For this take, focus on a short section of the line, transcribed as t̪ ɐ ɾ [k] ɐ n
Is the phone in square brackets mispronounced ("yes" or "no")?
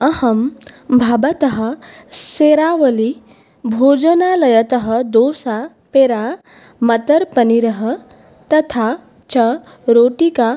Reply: yes